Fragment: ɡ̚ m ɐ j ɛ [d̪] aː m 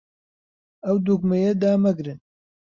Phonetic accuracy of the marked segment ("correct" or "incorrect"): correct